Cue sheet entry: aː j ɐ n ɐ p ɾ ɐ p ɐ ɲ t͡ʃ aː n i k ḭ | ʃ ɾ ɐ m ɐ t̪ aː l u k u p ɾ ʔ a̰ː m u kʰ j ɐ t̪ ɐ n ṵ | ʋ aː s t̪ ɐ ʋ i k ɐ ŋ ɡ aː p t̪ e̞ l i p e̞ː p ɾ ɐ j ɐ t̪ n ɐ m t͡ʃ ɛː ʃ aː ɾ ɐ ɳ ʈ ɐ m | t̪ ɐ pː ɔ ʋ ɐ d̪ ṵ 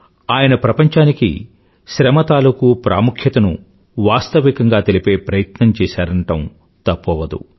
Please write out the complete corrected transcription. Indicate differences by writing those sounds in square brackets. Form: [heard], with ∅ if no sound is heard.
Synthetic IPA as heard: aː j ɐ n ɐ p ɾ ɐ p ɐ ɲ t͡ʃ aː n i k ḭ | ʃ ɾ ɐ m ɐ t̪ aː l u k u p ɾ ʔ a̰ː m u kʰ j ɐ t̪ ɐ n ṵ | ʋ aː s t̪ ɐ ʋ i k ɐ ŋ ɡ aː [∅] t̪ e̞ l i p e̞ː p ɾ ɐ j ɐ t̪ n ɐ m t͡ʃ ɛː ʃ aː ɾ ɐ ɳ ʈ ɐ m | t̪ ɐ pː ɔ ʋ ɐ d̪ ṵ